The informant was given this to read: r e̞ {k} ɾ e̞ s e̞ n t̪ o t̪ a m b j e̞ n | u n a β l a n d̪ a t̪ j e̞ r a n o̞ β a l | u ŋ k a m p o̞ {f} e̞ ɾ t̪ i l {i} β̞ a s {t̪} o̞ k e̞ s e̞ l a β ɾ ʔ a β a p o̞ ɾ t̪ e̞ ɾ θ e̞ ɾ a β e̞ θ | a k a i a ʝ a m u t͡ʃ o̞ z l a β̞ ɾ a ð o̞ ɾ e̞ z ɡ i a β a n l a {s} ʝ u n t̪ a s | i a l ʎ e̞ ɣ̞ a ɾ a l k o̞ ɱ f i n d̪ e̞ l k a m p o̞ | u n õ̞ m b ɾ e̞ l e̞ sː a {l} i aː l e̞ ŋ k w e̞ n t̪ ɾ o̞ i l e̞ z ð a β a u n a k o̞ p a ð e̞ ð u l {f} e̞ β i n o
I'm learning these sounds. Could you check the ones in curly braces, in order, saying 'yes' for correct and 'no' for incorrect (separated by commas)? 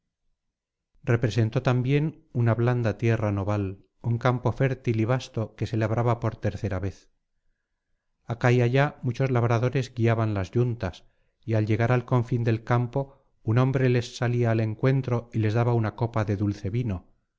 no, yes, yes, yes, no, yes, no